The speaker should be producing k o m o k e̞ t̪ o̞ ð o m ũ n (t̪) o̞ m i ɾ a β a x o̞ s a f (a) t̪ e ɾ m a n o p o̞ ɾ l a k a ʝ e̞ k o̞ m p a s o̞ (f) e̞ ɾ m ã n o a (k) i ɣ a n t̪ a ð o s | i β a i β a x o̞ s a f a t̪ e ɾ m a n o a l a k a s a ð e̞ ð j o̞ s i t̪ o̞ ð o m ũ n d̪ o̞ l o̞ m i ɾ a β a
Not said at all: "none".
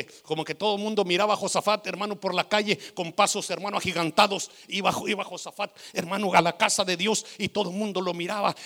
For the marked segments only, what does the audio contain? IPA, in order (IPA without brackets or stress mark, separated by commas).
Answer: d̪, a, s, x